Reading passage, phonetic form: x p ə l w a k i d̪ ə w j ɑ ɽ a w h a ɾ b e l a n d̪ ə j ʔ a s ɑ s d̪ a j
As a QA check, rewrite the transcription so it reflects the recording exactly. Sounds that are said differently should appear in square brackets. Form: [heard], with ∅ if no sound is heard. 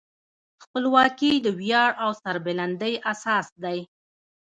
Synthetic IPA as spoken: x p ə l w [ɑ] k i d̪ ə w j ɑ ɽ a w [s] a ɾ b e l a n d̪ ə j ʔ a s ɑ s d̪ a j